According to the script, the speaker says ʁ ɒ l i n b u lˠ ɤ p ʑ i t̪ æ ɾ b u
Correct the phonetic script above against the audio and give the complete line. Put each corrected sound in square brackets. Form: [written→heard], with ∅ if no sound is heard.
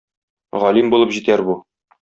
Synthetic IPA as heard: ʁ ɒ l i [n→m] b u lˠ ɤ p ʑ i t̪ æ ɾ b u

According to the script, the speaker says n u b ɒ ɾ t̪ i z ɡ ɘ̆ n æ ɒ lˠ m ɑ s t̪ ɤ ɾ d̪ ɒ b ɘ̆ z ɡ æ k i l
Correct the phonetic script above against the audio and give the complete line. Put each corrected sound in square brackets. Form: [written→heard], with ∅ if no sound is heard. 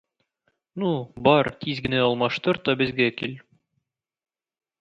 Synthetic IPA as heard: n u b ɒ ɾ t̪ i z ɡ ɘ̆ n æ ɒ lˠ m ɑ [s→ʃ] t̪ ɤ ɾ [d̪→t̪] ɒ b ɘ̆ z ɡ æ k i l

